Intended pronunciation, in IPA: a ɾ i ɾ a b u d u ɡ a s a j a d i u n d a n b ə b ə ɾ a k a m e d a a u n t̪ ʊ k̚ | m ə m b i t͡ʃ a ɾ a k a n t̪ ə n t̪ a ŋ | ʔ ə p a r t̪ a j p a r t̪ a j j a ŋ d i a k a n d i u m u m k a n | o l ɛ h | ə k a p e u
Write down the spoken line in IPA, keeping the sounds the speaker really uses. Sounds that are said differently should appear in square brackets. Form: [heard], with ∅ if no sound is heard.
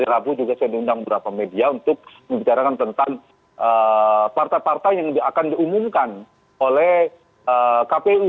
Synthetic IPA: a ɾ i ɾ a b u [d͡ʒ] u ɡ a s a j a d i u n d a [ŋ] b ə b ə ɾ a [p] a m e d [i] a u n t̪ ʊ k̚ | m ə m b i t͡ʃ a ɾ a k a n t̪ ə n t̪ a ŋ | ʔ ə p a r t̪ a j p a r t̪ a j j a ŋ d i a k a n d i u m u m k a n | o l ɛ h | ə k a p e u